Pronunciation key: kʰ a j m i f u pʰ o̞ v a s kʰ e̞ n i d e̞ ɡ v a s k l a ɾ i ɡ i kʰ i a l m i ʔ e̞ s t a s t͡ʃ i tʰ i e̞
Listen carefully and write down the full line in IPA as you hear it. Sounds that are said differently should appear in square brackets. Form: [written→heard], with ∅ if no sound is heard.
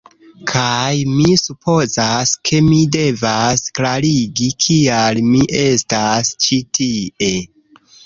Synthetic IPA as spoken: kʰ a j m i [f→s] u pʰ o̞ [v→z] a s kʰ e̞ [n→m] i d e̞ [ɡ→∅] v a s k l a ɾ i ɡ i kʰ i a l m i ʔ e̞ s t a s t͡ʃ i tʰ i e̞